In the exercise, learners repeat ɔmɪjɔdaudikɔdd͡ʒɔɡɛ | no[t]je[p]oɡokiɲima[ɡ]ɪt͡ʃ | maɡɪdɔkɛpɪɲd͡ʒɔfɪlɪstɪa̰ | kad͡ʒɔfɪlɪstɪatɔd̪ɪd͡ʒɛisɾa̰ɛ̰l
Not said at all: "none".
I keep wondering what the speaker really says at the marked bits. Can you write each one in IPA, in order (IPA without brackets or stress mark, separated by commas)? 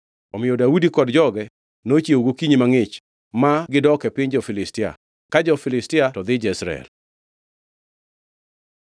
t͡ʃ, none, ŋ